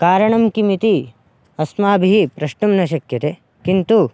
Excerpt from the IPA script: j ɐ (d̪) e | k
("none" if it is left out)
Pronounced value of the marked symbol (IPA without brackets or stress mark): t̪